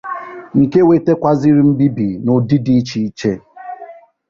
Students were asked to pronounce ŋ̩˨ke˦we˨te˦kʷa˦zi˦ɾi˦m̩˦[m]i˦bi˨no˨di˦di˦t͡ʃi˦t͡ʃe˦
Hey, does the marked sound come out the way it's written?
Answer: no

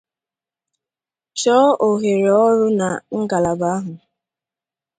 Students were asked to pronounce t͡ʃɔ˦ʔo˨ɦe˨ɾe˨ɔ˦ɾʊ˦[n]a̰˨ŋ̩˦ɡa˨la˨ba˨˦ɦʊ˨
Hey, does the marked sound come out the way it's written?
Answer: yes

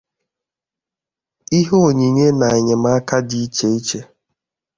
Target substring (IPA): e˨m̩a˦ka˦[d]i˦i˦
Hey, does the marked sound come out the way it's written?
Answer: yes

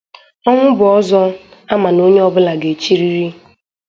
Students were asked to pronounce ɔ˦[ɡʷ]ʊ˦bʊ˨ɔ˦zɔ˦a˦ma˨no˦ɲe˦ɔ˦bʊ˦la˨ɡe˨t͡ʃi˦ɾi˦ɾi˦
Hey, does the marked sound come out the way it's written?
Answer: no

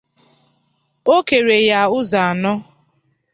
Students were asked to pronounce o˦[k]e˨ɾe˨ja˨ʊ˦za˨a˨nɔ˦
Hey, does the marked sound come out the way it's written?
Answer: yes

